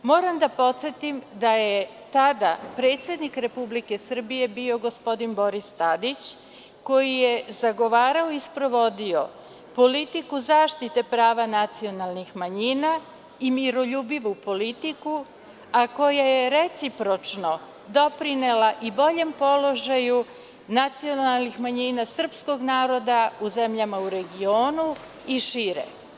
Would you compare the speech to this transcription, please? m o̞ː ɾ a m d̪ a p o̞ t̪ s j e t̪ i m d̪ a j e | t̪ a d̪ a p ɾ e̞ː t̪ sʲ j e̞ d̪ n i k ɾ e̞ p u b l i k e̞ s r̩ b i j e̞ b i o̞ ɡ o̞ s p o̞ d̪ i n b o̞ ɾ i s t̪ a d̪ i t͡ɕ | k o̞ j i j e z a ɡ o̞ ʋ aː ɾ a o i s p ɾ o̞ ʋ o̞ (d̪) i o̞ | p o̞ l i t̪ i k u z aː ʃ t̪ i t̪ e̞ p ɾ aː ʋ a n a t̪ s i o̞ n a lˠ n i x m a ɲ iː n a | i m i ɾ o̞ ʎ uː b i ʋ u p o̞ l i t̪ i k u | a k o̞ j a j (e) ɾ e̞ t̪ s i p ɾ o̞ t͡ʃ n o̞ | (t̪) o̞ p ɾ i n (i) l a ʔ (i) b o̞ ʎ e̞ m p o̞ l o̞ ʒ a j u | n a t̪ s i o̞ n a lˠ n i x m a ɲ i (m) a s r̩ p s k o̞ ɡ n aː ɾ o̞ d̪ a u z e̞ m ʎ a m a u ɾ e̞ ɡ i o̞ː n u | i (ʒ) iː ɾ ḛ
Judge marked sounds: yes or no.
yes, yes, no, no, yes, no, no

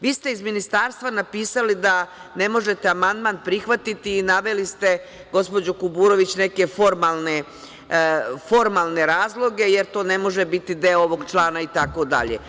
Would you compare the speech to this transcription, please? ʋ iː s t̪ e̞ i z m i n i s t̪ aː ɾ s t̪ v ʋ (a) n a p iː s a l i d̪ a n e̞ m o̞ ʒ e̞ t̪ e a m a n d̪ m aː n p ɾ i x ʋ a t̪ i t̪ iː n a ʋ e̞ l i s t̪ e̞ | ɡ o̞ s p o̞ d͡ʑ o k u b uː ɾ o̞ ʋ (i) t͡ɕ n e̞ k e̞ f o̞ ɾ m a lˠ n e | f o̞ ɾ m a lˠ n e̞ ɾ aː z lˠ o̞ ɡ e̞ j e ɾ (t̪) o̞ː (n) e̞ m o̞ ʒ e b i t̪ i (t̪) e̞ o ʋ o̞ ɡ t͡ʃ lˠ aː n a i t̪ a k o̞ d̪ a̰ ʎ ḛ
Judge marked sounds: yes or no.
yes, yes, yes, yes, no

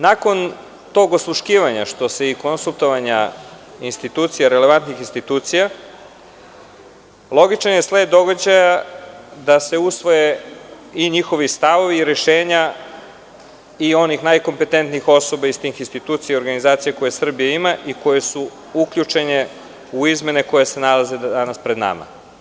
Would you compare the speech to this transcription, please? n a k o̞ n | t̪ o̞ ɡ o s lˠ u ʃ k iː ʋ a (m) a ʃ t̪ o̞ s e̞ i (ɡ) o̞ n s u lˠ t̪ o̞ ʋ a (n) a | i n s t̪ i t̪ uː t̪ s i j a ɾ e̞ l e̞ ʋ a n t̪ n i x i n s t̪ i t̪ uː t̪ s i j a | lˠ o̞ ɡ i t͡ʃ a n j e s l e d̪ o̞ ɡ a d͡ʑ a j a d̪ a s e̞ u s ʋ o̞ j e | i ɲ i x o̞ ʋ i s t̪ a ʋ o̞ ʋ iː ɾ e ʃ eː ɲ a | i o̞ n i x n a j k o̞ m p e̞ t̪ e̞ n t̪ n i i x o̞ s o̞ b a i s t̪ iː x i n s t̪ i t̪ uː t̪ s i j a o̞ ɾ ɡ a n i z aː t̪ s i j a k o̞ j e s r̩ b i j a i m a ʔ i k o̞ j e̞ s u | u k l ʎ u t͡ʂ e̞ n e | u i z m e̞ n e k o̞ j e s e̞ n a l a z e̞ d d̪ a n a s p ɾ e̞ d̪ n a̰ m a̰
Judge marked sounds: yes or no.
no, no, no

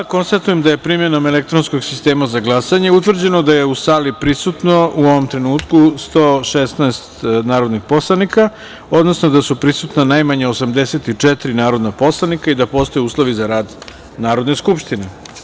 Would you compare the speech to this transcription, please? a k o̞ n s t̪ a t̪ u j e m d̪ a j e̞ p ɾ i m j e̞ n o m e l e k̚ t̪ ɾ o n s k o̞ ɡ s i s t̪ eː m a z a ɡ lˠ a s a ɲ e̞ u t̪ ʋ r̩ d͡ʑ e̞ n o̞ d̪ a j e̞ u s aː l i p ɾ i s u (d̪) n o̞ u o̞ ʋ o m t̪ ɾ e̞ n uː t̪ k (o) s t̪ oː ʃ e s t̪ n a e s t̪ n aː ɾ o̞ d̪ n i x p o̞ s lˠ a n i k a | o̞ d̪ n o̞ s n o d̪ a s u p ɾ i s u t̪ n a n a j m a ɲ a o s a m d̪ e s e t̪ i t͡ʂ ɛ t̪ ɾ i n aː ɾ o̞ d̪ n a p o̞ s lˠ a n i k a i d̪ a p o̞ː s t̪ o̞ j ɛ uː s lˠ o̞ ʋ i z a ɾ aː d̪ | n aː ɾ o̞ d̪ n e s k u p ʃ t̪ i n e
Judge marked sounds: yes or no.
no, no

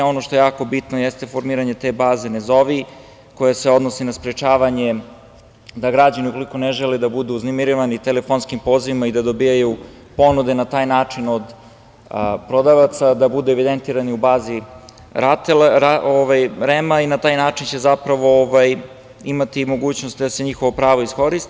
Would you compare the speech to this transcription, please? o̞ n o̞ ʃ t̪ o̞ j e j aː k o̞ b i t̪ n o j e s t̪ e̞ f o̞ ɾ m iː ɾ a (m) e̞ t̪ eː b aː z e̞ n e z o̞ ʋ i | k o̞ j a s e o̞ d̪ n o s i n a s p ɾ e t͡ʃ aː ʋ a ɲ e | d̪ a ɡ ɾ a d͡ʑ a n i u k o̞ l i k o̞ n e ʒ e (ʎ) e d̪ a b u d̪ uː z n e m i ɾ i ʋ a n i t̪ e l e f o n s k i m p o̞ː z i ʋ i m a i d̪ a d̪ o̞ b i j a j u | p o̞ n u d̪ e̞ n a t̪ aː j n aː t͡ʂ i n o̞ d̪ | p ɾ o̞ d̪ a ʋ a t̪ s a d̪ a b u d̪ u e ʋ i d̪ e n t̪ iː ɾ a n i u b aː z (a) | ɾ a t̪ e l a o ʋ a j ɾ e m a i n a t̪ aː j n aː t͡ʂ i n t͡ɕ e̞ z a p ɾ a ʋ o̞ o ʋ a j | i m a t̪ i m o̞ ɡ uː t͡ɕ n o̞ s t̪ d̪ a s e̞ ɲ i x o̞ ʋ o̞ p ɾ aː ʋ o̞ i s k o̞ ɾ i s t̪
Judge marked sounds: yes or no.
no, no, no

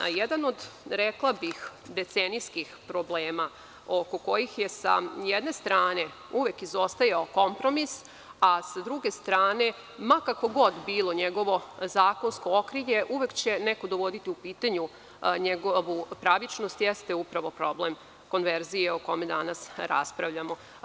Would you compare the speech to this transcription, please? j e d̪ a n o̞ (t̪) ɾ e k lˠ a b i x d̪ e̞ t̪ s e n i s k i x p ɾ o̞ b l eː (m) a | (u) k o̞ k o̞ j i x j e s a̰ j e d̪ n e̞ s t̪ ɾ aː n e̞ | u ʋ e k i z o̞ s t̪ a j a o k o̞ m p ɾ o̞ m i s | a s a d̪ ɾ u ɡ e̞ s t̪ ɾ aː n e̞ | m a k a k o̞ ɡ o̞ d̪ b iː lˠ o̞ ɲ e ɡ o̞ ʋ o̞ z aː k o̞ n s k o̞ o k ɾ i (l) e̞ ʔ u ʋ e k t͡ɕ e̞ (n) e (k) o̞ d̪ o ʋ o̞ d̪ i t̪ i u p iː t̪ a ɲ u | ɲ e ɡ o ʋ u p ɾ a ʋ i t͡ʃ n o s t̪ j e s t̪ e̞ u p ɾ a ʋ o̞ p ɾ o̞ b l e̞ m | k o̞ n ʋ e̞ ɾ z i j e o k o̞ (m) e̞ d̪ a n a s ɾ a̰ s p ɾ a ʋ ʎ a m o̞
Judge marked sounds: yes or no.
no, yes, no, no, yes, yes, yes

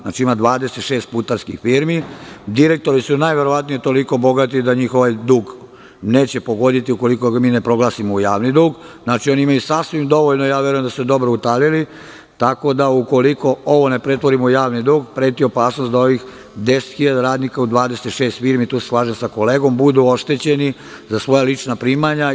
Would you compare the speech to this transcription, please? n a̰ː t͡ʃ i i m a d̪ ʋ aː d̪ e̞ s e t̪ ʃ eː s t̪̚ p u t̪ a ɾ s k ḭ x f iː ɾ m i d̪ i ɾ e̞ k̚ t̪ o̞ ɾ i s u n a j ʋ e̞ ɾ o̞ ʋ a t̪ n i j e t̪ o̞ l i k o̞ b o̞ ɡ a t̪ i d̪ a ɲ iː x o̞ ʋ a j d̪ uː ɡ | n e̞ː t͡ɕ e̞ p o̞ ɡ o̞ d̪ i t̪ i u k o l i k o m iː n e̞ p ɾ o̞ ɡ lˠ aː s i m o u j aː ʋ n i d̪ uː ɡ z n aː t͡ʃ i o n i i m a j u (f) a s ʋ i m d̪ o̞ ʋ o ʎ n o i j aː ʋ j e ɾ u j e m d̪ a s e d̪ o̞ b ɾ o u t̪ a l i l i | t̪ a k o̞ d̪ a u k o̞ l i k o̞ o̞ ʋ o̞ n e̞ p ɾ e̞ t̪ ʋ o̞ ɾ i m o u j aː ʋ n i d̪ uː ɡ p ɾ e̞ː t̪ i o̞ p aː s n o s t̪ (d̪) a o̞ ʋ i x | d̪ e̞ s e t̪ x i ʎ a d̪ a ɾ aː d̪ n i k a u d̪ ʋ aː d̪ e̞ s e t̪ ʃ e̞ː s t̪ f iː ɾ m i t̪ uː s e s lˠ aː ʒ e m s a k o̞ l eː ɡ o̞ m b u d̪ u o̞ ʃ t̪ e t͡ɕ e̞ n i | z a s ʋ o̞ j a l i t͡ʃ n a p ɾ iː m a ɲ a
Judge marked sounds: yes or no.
no, yes

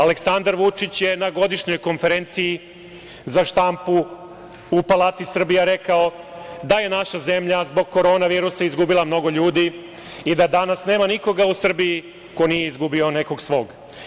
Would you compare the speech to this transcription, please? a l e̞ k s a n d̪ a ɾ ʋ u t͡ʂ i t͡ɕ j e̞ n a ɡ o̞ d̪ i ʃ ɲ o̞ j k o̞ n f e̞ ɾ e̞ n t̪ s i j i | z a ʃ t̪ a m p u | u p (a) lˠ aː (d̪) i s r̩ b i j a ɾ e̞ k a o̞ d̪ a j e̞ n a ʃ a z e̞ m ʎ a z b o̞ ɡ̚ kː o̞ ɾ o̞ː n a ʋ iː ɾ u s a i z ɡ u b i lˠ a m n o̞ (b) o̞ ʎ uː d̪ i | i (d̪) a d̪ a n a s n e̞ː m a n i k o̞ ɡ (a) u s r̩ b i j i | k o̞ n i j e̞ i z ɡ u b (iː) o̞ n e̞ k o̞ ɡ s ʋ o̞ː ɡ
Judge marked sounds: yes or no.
yes, no, no, yes, yes, no

